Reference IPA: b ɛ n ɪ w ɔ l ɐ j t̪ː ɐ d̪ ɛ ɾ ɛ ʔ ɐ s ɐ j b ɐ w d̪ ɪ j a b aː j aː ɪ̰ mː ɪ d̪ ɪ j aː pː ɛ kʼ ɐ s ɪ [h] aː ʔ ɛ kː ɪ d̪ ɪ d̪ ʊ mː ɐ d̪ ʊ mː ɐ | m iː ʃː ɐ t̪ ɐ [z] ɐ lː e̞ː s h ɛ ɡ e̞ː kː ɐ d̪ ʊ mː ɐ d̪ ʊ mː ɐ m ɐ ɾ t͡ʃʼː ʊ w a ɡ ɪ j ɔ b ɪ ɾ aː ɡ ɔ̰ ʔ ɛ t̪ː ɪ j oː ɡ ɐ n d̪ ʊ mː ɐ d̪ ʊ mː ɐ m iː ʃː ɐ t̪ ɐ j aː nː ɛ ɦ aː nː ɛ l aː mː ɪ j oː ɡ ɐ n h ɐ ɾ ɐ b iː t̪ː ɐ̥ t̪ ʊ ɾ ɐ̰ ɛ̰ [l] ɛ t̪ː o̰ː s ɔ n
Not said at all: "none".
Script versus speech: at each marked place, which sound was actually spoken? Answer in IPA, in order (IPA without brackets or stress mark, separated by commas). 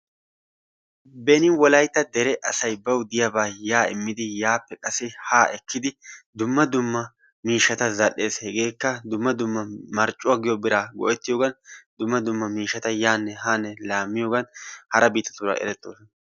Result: h, z, ɾ